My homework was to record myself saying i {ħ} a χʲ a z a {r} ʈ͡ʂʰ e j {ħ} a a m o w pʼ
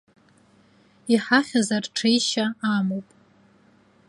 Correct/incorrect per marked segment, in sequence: correct, correct, incorrect: ʃ

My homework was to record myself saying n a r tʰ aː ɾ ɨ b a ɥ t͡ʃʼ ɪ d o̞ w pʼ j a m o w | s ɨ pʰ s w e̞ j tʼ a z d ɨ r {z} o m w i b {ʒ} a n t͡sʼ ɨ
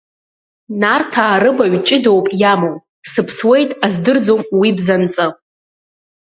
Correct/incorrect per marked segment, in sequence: incorrect: d͡z, incorrect: z

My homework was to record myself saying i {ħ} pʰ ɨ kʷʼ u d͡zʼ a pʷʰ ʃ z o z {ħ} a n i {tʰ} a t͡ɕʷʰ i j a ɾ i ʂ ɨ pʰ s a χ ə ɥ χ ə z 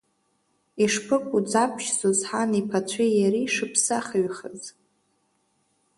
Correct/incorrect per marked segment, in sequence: incorrect: ʂ, correct, incorrect: pʰ

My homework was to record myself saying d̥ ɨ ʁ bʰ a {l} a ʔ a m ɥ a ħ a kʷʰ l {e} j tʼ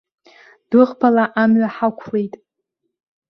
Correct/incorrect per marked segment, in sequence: correct, correct

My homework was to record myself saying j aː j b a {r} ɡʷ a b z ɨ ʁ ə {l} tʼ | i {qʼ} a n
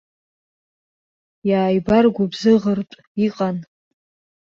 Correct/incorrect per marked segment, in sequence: correct, incorrect: r, correct

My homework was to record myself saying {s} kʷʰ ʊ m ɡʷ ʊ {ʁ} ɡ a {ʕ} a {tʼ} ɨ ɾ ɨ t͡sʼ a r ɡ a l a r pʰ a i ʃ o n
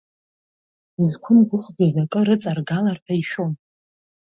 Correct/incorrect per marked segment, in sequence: incorrect: z, incorrect: χ, incorrect: z, incorrect: kʼ

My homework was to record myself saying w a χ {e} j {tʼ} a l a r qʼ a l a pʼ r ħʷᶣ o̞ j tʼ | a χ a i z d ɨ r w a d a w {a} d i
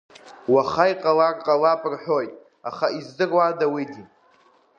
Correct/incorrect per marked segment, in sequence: incorrect: a, incorrect: qʼ, incorrect: i

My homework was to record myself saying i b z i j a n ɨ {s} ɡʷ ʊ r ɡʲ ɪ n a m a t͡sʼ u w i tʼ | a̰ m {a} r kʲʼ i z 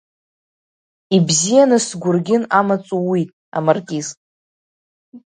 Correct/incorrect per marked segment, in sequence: correct, correct

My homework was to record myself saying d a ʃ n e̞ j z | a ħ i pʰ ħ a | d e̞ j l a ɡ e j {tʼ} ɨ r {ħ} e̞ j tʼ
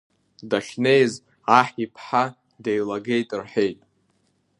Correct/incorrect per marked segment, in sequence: correct, correct

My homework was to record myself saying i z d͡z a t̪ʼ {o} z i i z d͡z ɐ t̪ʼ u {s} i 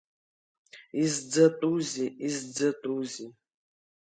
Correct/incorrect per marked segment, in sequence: incorrect: u, incorrect: z

